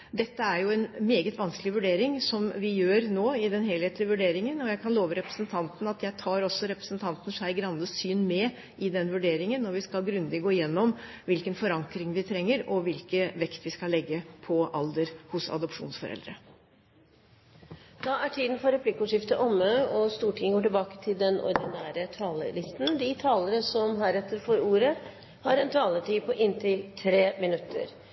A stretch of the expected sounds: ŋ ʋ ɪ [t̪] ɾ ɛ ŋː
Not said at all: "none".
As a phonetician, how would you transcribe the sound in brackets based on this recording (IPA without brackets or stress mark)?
t̪ʰ